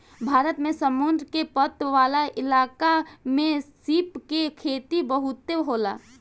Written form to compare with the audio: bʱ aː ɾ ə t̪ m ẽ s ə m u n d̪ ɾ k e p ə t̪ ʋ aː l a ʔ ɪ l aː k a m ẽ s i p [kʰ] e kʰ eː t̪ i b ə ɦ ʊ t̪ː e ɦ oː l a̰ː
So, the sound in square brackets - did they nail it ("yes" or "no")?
no